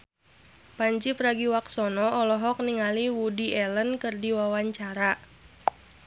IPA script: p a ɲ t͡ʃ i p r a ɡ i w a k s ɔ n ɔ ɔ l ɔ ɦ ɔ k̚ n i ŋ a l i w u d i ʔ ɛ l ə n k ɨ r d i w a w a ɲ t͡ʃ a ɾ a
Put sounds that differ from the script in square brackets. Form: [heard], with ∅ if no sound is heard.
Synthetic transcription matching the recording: p a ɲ t͡ʃ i p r a ɡ i w a k s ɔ n ɔ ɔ l ɔ ɦ ɔ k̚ n i ŋ a l i w u d i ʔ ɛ l ə n k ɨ r d i w a w a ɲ t͡ʃ a ɾ a